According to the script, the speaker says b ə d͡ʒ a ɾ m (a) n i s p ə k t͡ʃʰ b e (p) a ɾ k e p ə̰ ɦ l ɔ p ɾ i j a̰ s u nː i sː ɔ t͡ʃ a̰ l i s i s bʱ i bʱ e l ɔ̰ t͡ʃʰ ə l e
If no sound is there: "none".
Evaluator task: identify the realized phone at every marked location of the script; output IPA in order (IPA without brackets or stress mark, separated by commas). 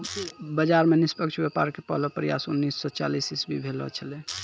e, p